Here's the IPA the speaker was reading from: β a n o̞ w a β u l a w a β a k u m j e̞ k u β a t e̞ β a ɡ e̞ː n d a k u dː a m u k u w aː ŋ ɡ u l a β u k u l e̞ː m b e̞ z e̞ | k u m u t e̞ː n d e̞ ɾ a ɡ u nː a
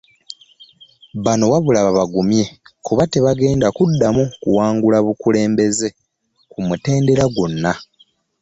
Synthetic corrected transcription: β a n o̞ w a β u l a β a β a ɡ u m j e̞ k u β a t e̞ β a ɡ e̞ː n d a k u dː a m u k u w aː ŋ ɡ u l a β u k u l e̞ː m b e̞ z e̞ | k u m u t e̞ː n d e̞ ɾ a ɡ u nː a